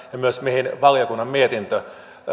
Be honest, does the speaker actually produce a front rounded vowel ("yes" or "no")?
yes